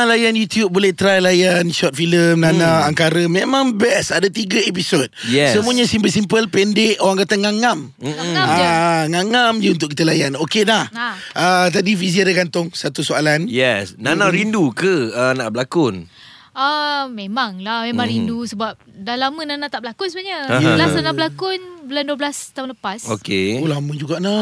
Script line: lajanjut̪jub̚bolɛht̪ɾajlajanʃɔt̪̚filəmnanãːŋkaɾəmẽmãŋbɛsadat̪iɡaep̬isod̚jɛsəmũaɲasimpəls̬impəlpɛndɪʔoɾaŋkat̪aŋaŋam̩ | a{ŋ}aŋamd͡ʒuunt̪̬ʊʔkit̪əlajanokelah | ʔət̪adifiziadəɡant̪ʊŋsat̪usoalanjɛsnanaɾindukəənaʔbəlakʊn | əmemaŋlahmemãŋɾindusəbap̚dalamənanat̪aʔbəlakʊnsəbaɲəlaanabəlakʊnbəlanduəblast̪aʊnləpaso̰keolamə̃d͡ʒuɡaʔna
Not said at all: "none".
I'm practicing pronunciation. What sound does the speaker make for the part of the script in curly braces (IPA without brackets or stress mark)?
ŋ